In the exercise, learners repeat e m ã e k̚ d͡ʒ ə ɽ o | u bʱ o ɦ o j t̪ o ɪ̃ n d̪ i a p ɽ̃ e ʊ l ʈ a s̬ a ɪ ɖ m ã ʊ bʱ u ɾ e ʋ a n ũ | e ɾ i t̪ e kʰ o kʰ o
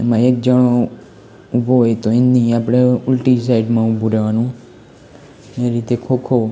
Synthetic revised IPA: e m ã e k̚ d͡ʒ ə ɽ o | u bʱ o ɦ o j t̪ o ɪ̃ n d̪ i a p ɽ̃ e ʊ l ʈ i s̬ a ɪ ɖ m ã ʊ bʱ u ɾ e ʋ a n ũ | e ɾ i t̪ e kʰ o kʰ o